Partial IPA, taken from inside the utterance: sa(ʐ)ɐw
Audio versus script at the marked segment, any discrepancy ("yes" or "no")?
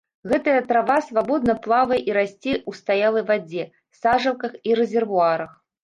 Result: no